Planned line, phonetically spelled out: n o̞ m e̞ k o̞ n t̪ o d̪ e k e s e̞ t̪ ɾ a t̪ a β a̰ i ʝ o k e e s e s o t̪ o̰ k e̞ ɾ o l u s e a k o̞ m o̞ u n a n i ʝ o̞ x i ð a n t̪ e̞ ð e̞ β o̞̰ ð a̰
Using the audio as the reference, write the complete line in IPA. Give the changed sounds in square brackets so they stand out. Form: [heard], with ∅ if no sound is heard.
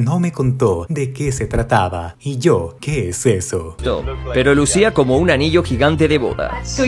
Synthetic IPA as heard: n o̞ m e̞ k o̞ n t̪ o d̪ e k e s e̞ t̪ ɾ a t̪ a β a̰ i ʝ o k e e s e s o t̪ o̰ [p] e̞ ɾ o l u s [i] a k o̞ m o̞ u n a n i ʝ o̞ x i [ɣ] a n t̪ e̞ ð e̞ β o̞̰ ð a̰